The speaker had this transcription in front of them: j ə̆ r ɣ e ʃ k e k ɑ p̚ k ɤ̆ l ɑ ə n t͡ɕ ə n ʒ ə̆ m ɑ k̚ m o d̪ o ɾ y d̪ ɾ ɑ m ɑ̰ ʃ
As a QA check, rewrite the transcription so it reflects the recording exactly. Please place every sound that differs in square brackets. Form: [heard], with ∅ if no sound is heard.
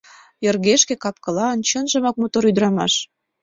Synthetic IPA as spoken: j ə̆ r ɣ e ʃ k e k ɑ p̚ k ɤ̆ l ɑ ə n t͡ɕ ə n ʒ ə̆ m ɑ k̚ m o [t̪] o ɾ y d̪ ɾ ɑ m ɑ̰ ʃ